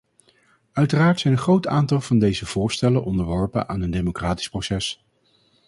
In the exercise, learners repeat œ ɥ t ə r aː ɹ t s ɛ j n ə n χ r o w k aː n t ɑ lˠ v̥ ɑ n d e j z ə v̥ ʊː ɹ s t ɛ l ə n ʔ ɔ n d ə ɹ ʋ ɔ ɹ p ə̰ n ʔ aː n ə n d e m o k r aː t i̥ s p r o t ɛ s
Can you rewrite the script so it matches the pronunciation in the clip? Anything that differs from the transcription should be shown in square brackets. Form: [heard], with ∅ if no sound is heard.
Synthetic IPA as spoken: œ ɥ t ə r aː ɹ t s ɛ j n ə n χ r o w [t] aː n t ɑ lˠ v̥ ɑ n d e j z ə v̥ ʊː ɹ s t ɛ l ə n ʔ ɔ n d ə ɹ ʋ ɔ ɹ p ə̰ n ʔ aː n ə n d e m o k r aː t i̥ s p r o [s] ɛ s